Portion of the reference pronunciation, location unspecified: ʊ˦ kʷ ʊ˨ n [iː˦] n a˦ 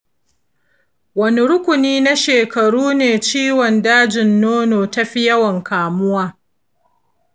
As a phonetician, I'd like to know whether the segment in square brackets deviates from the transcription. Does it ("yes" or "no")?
no